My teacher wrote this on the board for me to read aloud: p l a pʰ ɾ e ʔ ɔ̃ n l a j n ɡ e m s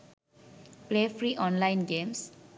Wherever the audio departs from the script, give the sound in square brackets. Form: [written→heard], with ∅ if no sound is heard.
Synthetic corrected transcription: p l [a→e] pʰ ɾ [e→i] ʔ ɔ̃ n l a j n ɡ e m s

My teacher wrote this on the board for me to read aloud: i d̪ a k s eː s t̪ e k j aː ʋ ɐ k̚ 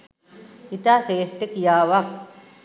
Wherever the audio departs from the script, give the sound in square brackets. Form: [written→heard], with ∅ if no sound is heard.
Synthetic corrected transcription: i [d̪→t̪] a [k→∅] s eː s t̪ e k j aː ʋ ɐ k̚

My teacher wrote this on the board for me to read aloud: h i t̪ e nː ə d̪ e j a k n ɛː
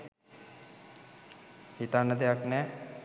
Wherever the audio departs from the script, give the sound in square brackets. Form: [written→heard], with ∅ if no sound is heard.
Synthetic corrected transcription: h i t̪ [e→a] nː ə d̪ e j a k n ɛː

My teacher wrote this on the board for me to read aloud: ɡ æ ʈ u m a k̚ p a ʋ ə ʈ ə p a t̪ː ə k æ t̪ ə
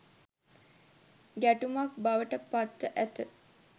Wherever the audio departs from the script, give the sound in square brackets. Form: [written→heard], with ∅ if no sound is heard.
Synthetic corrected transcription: ɡ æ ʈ u m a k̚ [p→b] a ʋ ə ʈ ə p a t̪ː ə [k→ʔ] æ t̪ ə

